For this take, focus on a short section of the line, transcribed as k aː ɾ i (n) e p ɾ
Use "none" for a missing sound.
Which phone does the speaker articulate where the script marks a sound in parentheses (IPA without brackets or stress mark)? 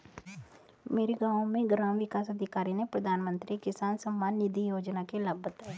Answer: n